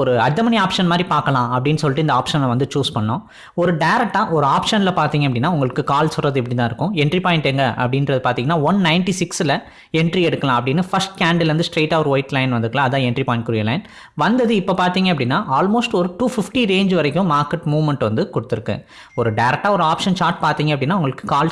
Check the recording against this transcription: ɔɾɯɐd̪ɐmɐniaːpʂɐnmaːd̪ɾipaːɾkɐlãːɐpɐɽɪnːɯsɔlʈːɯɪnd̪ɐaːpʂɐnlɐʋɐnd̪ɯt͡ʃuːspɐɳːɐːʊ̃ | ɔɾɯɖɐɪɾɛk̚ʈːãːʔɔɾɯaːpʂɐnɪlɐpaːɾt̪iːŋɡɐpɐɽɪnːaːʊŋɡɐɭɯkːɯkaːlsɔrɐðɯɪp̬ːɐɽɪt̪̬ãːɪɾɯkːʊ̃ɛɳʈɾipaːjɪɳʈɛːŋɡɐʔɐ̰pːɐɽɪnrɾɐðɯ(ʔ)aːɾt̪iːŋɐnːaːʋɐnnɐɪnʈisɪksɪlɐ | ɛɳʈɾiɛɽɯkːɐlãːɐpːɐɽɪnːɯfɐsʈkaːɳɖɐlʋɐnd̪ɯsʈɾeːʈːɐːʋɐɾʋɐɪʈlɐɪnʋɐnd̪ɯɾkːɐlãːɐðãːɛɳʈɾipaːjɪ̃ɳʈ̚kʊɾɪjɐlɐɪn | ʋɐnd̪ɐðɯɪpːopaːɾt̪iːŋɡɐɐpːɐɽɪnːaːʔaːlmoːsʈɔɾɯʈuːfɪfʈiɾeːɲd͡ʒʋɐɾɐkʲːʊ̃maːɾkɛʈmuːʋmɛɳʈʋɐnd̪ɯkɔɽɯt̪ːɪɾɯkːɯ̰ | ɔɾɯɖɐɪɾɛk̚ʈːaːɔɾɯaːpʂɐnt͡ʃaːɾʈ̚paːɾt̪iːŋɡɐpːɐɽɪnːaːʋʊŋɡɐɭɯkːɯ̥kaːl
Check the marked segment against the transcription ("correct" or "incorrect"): incorrect